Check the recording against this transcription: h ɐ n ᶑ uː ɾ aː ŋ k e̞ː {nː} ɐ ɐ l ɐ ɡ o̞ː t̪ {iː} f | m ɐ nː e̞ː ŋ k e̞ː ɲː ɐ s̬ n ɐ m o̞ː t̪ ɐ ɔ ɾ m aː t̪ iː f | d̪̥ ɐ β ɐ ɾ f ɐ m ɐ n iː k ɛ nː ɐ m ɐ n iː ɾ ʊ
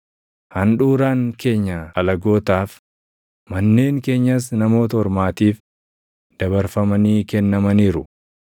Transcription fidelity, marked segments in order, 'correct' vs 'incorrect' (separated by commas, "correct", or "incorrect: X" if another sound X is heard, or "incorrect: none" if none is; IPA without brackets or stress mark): incorrect: ɲː, incorrect: aː